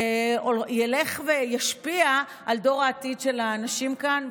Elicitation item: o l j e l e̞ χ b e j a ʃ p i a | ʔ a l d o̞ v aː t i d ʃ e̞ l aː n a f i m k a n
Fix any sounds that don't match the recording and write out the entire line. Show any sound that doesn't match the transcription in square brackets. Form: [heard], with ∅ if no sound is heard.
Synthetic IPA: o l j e l e̞ χ [v] e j a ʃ p i a | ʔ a l d o̞ [ʁ] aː t i d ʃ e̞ l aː n a [ʃ] i m k a n